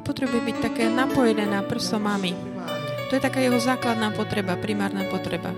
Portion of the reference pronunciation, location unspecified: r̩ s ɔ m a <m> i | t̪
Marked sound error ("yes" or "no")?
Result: no